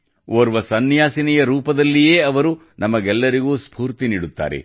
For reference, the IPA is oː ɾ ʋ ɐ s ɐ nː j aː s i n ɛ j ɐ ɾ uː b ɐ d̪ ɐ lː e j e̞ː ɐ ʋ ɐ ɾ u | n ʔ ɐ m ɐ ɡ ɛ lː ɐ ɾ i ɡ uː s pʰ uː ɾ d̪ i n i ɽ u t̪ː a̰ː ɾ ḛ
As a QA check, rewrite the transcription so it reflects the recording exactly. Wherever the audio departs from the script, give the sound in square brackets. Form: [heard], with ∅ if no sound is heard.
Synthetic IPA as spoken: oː ɾ ʋ ɐ s ɐ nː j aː s i n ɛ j ɐ ɾ uː [p] ɐ d̪ ɐ lː [i] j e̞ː ɐ ʋ ɐ ɾ u | n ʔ ɐ m ɐ ɡ ɛ lː ɐ ɾ i ɡ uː s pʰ uː ɾ [t̪] i n [iː] ɽ u t̪ː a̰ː ɾ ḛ